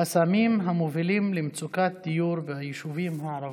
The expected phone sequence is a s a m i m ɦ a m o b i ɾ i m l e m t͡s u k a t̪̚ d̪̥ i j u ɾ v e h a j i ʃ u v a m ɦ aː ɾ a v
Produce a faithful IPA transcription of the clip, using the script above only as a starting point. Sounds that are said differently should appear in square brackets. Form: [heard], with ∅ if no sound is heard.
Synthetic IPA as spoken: a s a m i m ɦ a m o [v] i [l] i m l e m t͡s u k a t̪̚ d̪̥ i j u ɾ v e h a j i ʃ u v [i] m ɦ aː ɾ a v